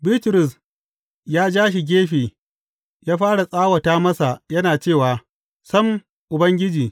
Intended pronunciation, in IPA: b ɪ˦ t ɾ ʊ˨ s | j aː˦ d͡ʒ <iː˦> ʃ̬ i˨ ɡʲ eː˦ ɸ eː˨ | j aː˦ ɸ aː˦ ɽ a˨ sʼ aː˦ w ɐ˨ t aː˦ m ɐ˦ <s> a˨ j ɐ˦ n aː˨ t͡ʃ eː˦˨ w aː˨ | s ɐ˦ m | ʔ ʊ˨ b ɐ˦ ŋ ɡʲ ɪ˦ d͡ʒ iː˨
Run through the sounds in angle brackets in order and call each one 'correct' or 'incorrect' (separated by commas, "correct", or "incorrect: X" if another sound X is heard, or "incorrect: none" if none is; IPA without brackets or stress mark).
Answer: incorrect: aː˦, correct